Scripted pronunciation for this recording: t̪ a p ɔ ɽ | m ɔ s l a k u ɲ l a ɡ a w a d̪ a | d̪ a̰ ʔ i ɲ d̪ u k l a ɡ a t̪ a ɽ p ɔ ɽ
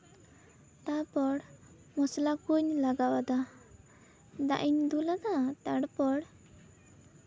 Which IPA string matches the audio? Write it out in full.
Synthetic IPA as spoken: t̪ a p ɔ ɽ | m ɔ s l a k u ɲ l a ɡ a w a d̪ a | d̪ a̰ ʔ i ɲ d̪ u l a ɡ a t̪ a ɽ p ɔ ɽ